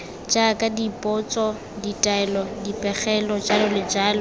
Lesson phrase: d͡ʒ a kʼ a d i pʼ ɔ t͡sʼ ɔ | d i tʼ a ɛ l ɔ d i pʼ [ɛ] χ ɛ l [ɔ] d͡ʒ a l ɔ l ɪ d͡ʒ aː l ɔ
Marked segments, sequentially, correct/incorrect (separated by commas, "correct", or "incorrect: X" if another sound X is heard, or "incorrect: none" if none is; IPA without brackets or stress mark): correct, correct